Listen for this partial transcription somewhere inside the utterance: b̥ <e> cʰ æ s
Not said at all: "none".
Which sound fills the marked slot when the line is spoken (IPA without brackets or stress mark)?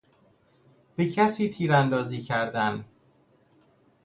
e